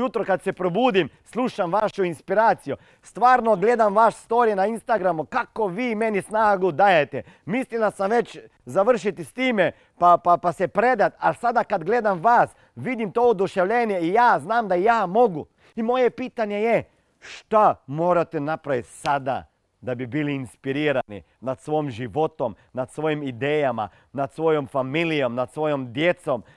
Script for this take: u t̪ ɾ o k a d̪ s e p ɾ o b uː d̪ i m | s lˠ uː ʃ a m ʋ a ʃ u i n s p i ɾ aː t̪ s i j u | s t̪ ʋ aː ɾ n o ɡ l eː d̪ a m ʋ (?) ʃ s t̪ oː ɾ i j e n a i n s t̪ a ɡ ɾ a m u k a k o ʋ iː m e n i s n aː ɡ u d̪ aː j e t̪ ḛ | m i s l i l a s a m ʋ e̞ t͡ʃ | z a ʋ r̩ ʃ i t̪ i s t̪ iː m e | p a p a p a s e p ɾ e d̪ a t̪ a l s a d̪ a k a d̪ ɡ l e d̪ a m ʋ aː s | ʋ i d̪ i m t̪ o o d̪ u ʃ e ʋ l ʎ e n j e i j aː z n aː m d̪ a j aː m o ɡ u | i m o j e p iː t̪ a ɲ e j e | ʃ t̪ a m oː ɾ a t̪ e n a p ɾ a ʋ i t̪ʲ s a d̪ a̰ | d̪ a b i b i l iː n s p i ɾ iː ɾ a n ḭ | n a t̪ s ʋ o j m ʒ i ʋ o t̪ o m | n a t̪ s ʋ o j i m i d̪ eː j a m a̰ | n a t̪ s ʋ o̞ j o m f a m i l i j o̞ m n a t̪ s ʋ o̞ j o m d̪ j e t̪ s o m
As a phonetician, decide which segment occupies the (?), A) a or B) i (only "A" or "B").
A